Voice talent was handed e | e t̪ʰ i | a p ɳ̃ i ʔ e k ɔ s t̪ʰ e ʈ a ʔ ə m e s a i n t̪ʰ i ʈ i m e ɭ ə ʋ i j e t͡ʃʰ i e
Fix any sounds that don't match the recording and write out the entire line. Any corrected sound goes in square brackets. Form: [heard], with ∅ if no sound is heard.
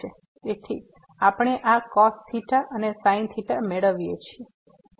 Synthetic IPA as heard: e | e t̪ʰ i | a p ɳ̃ [e] ʔ [a] k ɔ s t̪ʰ [i] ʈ a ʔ ə [n] e s a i n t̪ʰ i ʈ [a] m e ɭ ə ʋ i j e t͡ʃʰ i e